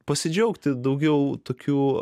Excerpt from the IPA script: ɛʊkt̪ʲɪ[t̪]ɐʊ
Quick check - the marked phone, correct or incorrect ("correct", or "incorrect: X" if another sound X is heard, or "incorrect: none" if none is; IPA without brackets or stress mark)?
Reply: incorrect: d̪